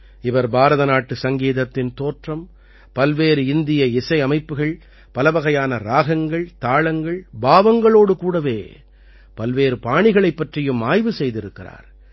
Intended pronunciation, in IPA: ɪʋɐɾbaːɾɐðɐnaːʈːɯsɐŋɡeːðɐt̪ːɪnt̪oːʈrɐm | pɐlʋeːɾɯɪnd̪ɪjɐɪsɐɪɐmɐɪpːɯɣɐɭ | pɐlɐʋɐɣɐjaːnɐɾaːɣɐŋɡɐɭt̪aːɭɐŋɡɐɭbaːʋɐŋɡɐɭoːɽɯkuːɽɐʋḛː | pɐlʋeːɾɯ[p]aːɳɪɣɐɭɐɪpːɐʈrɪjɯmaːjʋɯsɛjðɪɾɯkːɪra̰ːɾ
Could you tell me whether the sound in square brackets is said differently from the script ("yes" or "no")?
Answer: no